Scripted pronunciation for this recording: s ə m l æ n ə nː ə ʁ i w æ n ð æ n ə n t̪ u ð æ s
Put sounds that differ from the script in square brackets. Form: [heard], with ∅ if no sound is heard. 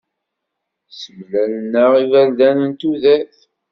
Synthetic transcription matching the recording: s ə m l æ n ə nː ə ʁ i [v] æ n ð æ n ə n t̪ u ð æ [θ]